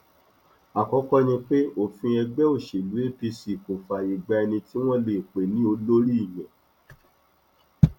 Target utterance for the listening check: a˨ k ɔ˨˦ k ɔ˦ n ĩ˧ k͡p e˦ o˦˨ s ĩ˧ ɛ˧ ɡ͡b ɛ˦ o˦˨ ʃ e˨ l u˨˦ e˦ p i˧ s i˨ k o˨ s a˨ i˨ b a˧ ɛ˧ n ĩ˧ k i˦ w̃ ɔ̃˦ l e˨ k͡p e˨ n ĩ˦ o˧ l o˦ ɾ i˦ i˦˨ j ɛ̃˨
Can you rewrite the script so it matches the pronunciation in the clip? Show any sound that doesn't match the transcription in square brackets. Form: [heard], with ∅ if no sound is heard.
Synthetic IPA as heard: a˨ k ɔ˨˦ k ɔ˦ n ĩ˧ k͡p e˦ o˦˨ [f] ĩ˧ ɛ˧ ɡ͡b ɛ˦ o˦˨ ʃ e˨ l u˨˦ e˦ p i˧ s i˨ k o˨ [f] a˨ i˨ [ɡ͡b] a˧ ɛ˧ n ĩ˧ [t] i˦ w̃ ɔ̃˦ l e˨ k͡p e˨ n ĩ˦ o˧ l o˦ ɾ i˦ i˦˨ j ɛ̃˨